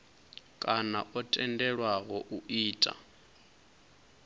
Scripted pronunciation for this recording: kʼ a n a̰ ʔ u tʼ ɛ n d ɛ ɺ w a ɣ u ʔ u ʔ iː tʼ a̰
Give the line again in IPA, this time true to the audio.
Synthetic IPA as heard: kʼ a n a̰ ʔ ɔ tʼ ɛ n d ɛ ɺ w a ɣ ɔ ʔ u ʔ iː tʼ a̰